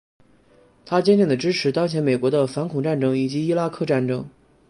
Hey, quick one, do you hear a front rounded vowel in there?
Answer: no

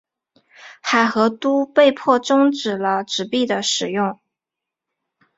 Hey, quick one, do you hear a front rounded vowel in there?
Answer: no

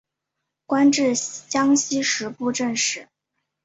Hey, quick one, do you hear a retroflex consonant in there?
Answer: yes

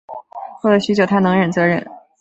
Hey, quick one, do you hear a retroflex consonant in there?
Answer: yes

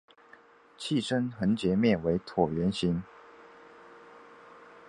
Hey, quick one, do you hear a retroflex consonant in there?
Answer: yes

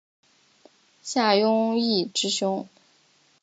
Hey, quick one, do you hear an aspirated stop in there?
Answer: no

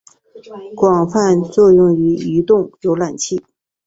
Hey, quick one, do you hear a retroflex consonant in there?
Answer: no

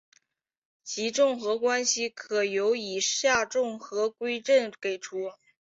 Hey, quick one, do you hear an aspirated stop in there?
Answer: yes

